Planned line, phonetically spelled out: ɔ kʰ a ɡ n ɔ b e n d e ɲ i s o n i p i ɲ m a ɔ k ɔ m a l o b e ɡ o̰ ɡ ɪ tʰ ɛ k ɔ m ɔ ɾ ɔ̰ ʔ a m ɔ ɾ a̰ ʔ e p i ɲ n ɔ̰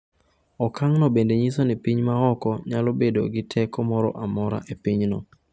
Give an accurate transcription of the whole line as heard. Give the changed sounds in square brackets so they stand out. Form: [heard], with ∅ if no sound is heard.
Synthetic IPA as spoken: ɔ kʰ a [ŋ] n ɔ b e n d e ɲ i s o n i p i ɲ m a ɔ k ɔ [ɲ] a l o b e [d] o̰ ɡ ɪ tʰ ɛ k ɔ m ɔ ɾ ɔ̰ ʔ a m ɔ ɾ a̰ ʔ e p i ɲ n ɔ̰

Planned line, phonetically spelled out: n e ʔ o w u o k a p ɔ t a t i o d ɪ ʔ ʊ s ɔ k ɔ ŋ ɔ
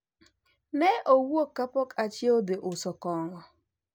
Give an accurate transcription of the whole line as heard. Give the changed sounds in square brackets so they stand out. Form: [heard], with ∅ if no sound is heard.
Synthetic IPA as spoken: n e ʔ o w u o k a p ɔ [k] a [t͡ʃ] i o d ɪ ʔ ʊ s ɔ k ɔ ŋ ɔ

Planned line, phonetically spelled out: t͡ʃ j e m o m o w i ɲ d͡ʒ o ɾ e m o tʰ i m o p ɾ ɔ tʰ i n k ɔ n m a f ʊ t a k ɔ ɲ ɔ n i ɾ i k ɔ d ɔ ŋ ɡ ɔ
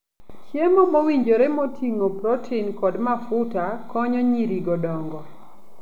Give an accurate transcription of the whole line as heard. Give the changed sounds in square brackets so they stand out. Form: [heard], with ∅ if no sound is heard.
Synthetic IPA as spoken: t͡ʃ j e m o m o w i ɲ d͡ʒ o ɾ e m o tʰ i [ŋ] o p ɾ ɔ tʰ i n k ɔ [d] m a f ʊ t a k ɔ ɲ ɔ [ɲ] i ɾ i [ɡ] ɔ d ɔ ŋ ɡ ɔ

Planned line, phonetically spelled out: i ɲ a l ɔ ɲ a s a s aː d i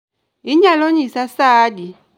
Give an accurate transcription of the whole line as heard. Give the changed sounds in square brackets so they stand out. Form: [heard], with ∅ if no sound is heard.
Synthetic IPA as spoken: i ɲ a l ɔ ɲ [i] s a s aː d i

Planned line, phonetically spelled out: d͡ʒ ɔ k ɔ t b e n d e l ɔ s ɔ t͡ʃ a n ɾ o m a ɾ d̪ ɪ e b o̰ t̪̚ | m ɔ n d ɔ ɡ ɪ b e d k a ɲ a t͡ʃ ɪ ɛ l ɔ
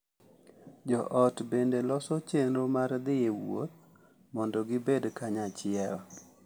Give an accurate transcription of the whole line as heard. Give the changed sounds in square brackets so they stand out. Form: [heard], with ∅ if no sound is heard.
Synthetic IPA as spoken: d͡ʒ ɔ [ʔ] ɔ t b e n d e l ɔ s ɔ t͡ʃ [e] n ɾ o m a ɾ d̪ ɪ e [w] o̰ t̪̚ | m ɔ n d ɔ ɡ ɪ b e d k a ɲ a t͡ʃ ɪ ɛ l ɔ

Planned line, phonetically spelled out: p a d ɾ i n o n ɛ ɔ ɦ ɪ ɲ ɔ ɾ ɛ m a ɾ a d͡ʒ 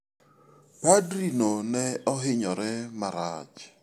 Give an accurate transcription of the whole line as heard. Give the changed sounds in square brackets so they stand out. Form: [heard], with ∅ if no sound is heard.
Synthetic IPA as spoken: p a d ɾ i n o n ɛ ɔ ɦ ɪ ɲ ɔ ɾ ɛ m a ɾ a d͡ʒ

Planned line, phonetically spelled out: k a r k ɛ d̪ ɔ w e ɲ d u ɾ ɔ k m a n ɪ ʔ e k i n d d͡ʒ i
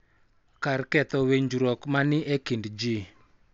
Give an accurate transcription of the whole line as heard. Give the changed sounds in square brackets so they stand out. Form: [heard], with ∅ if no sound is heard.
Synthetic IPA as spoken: k a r k ɛ [t̪] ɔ w e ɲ [d͡ʒ] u ɾ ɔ k m a n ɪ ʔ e k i n d d͡ʒ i

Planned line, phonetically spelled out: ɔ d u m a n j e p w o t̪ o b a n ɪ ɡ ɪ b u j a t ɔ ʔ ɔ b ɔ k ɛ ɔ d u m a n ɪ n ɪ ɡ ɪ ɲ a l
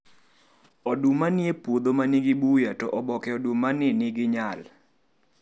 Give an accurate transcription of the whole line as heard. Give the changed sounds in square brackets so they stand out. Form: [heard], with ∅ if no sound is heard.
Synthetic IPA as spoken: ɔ d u m a n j e p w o [d̪] o [m] a n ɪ ɡ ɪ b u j a t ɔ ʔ ɔ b ɔ k ɛ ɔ d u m a n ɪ n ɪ ɡ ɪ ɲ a l

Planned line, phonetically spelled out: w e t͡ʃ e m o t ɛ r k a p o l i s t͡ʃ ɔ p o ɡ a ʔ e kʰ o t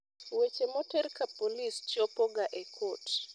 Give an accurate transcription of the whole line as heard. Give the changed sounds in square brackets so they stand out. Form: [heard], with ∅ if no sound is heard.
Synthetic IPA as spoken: w e t͡ʃ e m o t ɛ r k a p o l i s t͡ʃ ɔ p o ɡ a ʔ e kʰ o t

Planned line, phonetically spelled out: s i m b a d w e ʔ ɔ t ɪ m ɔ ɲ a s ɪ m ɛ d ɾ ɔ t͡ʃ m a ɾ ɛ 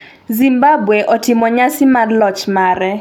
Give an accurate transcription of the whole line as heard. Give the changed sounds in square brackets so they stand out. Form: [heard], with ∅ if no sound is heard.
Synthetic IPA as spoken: [z] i m b a [b] w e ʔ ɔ t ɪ m ɔ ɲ a s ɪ m [a] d [l] ɔ t͡ʃ m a ɾ ɛ

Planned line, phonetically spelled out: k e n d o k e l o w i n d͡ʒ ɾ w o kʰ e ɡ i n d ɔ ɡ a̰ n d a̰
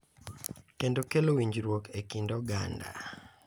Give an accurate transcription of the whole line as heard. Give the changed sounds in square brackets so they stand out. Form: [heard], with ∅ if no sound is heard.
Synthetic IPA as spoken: k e n d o k e l o w i [ɲ] d͡ʒ ɾ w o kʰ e [k] i n d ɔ ɡ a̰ n d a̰

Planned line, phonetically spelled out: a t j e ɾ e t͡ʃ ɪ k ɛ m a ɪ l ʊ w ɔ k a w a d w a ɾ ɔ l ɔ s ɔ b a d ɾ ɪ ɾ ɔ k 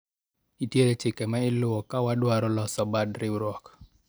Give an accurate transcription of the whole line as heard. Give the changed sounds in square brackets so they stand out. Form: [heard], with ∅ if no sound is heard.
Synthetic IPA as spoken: [i] t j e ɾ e t͡ʃ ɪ k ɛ m a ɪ l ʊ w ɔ k a w a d w a ɾ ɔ l ɔ s ɔ b a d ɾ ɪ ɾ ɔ k

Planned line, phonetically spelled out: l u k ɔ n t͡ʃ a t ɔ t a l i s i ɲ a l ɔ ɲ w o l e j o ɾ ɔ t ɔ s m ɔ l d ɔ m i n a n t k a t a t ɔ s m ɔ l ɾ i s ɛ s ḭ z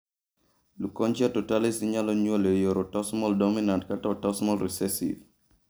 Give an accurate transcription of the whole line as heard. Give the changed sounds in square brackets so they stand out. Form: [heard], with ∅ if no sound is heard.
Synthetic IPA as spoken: l u k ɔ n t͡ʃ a t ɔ t a l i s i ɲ a l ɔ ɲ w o l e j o ɾ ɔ t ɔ s m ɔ l d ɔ m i n a n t k a t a t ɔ s m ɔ l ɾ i s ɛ s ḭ [v]

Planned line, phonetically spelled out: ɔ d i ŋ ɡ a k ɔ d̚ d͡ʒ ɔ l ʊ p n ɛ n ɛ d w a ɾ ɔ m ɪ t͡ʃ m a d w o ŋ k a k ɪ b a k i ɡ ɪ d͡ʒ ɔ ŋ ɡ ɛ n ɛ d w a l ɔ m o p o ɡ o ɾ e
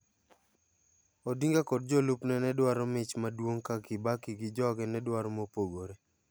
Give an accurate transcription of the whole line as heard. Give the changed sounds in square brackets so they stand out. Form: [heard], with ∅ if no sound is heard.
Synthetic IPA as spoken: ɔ d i ŋ ɡ a k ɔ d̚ d͡ʒ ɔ l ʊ p n ɛ n ɛ d w a ɾ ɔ m ɪ t͡ʃ m a d w o ŋ k a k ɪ b a k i ɡ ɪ d͡ʒ ɔ [∅] ɡ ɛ n ɛ d w a [ɾ] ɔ m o p o ɡ o ɾ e

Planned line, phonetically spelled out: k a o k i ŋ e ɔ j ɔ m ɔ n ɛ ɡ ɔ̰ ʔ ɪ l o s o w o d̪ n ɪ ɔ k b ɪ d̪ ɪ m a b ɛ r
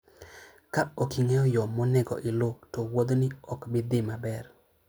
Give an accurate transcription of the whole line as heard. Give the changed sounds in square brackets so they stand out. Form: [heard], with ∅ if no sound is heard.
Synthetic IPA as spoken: k a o k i ŋ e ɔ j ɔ m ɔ n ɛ ɡ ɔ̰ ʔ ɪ l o [t] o w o d̪ n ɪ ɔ k b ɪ d̪ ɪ m a b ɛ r

